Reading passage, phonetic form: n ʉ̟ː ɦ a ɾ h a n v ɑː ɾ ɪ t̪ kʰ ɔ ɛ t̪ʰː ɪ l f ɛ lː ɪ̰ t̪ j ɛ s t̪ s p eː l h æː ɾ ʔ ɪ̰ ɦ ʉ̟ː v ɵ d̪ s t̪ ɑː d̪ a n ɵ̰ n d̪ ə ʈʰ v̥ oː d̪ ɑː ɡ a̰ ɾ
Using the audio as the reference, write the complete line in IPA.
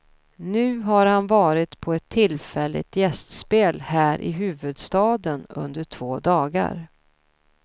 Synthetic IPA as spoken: n ʉ̟ː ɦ a ɾ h a n v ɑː ɾ ɪ t̪ pʰ ɔ ɛ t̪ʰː ɪ l f ɛ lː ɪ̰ t̪ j ɛ s t̪ s p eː l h æː ɾ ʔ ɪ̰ ɦ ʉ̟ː v ɵ d̪ s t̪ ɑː d̪ ə n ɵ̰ n d̪ ə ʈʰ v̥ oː d̪ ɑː ɡ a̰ ɾ